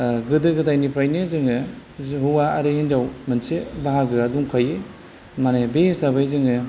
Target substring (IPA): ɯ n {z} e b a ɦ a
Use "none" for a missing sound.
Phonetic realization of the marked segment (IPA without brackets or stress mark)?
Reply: s